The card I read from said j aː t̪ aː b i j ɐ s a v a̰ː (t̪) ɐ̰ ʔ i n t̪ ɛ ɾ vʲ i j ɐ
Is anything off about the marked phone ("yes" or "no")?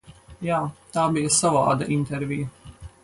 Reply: yes